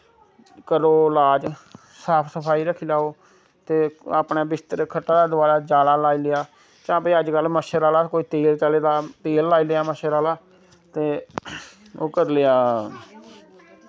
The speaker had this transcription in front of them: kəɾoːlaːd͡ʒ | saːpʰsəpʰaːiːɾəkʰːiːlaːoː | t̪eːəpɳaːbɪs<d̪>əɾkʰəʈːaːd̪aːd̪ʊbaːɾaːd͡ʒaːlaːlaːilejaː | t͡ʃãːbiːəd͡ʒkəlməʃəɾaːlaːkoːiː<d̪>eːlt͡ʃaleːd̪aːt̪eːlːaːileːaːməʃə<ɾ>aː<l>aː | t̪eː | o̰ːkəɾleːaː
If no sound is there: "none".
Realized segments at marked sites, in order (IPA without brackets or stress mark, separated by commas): t̪, t̪, ɾ, l